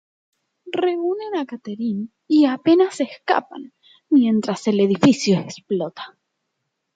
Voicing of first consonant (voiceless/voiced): voiced